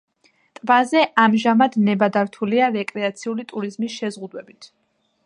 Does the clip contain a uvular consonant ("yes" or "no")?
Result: yes